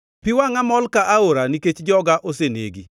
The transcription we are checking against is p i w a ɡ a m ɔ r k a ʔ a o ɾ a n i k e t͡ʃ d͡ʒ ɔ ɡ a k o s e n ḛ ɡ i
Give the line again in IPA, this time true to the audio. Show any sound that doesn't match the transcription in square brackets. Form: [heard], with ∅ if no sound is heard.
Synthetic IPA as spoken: p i w a [ŋ] a m ɔ [l] k a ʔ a o ɾ a n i k e t͡ʃ d͡ʒ ɔ ɡ a [ʔ] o s e n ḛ ɡ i